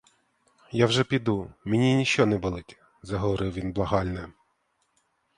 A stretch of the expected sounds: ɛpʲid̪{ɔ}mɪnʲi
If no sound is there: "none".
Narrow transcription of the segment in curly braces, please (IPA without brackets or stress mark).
u